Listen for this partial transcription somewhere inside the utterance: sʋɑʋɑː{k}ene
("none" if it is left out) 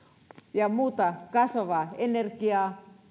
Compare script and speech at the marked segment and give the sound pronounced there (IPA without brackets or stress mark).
none